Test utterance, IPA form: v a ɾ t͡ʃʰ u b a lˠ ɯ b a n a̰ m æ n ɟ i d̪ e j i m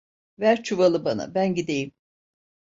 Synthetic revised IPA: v æ ɾ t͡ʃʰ u v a lˠ ɯ b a n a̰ b æ n ɟ i d̪ e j i m